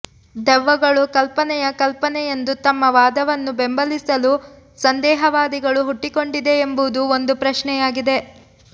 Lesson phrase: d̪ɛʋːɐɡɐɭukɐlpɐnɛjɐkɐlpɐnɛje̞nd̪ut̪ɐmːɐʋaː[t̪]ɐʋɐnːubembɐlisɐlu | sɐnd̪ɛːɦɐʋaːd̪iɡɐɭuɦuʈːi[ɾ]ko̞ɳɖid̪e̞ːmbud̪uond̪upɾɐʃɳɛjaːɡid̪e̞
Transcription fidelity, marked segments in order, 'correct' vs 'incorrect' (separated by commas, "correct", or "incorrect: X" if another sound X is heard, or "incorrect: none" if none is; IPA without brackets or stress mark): incorrect: d̪, incorrect: none